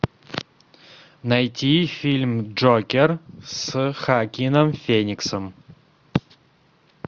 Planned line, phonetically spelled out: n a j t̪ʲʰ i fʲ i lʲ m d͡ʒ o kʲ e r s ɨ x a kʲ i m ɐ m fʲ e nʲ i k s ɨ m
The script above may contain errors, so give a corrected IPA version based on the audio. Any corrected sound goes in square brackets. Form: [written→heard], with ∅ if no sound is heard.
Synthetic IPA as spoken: n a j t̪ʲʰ i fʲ i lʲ m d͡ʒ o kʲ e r s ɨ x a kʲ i [m→n] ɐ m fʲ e nʲ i k s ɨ m